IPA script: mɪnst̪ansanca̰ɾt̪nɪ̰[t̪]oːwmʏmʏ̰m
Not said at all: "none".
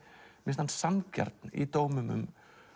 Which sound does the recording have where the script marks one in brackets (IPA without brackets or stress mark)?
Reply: t̪